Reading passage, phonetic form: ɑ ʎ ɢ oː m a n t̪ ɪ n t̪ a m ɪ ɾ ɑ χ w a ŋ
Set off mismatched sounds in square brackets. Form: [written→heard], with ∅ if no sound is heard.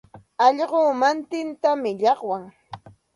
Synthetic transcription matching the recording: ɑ ʎ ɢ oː m a n t̪ ɪ n t̪ a m ɪ [ɾ→ʎ] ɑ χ w a ŋ